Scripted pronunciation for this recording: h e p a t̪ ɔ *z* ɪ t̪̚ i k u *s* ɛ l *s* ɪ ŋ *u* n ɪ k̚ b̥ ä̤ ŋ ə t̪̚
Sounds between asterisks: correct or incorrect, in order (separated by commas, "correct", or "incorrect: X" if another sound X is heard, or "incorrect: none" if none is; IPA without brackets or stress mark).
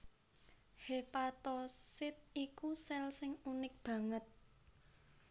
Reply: incorrect: s, correct, correct, correct